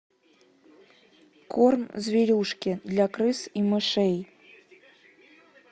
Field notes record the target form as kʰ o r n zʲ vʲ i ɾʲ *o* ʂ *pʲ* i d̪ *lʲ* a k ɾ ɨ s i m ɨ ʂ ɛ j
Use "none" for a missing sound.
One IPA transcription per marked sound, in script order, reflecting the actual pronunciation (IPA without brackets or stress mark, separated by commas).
u, kʲ, lʲ